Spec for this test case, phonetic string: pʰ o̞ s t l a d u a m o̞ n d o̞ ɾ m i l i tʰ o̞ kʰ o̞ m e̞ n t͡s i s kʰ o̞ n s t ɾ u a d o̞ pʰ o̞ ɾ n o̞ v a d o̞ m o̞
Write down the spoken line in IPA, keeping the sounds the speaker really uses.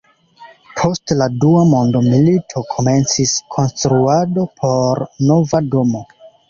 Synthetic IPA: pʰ o̞ s t l a d u a m o̞ n d o̞ m i l i tʰ o̞ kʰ o̞ m e̞ n t͡s i s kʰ o̞ n s t ɾ u a d o̞ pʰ o̞ ɾ n o̞ v a d o̞ m o̞

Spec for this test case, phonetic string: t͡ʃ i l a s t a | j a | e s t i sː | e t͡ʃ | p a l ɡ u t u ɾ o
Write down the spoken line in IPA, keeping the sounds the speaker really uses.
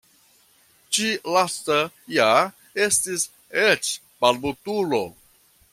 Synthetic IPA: t͡ʃ i l a s t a | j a | e s t i s | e t͡ʃ | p a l b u t u l o

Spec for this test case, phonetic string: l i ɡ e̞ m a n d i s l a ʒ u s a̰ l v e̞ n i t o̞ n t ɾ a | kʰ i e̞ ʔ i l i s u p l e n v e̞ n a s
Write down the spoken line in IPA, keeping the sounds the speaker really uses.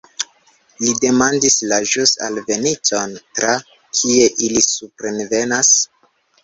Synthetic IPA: l i d e̞ m a n d i s l a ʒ u s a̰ l v e̞ n i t o̞ n t ɾ a | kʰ i e̞ ʔ i l i s u p ɾ e n v e̞ n a s

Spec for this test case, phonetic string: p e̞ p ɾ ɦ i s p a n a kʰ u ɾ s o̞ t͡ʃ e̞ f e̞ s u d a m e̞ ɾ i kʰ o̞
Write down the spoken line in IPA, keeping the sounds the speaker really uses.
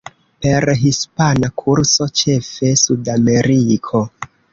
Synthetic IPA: p e̞ ɾ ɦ i s p a n a kʰ u ɾ s o̞ t͡ʃ e̞ f e̞ s u d a m e̞ ɾ i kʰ o̞

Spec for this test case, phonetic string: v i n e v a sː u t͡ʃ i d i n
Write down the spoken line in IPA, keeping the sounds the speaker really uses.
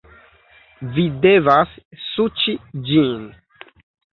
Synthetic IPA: v i d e v a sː u t͡ʃ i d͡ʒ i n

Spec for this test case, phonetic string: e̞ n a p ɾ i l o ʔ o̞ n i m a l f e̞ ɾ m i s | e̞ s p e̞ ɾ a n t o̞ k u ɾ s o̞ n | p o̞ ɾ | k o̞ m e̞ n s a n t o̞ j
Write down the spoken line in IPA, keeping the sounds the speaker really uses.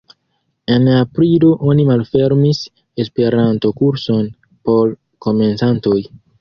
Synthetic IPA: e̞ n a p ɾ i l o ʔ o̞ n i m a l f e̞ ɾ m i s | e̞ s p e̞ ɾ a n t o̞ k u ɾ s o̞ n | p o̞ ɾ | k o̞ m e̞ n s a n t o̞ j

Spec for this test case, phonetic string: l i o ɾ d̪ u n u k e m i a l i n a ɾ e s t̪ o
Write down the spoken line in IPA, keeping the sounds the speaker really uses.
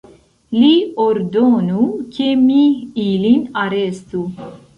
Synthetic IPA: l i o ɾ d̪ o n u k e m i i l i n a ɾ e s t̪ u

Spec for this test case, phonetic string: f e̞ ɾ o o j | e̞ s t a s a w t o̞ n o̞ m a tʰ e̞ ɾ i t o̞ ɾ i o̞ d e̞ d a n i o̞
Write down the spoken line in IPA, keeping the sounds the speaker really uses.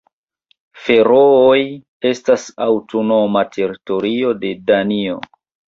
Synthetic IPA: f e̞ ɾ o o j | e̞ s t a s a w t o̞ n o̞ m a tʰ e̞ ɾ i t o̞ ɾ i o̞ d e̞ d a n i o̞

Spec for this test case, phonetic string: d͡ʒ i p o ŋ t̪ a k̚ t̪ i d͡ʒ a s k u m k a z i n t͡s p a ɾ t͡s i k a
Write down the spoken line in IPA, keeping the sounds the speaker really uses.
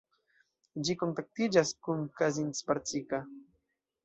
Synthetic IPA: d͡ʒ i k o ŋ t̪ a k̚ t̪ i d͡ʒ a s k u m k a z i n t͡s p a ɾ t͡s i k a

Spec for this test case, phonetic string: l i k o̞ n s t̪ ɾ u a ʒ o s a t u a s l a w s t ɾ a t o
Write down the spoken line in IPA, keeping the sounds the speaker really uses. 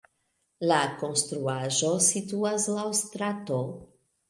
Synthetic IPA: l a k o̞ n s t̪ ɾ u a ʒ o s i t u a s l a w s t ɾ a t o

